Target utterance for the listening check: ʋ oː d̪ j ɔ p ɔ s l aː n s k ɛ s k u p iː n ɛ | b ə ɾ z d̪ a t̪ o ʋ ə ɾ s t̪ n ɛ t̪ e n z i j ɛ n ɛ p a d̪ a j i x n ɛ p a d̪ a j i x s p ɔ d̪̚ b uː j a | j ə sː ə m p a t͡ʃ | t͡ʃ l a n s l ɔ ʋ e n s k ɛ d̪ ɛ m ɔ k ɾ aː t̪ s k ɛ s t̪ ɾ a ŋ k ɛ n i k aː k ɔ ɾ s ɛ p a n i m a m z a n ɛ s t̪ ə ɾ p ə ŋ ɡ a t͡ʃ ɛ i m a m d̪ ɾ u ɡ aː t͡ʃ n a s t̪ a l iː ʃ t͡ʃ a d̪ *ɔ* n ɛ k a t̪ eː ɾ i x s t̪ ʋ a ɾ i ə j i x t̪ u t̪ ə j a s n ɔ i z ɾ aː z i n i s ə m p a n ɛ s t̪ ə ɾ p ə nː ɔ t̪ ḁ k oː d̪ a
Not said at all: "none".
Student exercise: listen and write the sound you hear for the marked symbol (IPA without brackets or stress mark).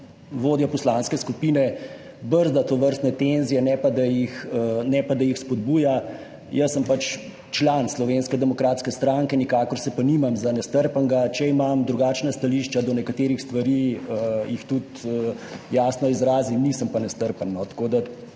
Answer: ɔ